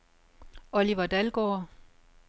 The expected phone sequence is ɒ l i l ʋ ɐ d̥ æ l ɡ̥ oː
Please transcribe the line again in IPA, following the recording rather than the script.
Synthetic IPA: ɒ l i ʋ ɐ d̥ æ l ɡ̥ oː